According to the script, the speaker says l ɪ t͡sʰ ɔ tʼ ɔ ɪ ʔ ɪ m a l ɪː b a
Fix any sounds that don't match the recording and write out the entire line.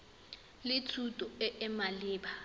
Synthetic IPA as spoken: l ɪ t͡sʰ u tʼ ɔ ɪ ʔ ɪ m a l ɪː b a